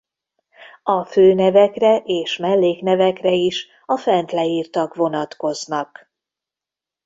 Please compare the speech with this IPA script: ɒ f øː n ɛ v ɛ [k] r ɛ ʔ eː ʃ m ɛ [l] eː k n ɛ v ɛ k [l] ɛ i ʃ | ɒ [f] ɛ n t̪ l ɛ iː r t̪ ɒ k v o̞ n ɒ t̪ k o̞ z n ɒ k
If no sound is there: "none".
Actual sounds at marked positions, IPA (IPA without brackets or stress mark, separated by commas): k, lː, r, f